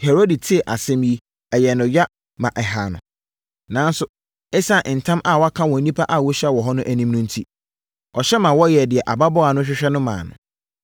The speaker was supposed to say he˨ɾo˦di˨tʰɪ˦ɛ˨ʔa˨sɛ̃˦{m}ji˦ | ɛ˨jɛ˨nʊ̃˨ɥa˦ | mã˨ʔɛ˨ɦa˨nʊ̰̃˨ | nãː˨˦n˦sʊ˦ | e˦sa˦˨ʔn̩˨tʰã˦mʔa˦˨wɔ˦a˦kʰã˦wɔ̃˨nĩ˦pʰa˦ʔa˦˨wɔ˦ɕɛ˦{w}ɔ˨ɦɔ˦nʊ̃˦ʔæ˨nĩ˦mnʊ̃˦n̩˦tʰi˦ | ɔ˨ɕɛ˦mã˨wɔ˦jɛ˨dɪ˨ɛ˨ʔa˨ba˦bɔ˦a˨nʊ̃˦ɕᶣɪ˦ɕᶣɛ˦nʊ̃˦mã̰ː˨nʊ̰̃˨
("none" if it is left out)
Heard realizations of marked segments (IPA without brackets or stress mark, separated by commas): m, w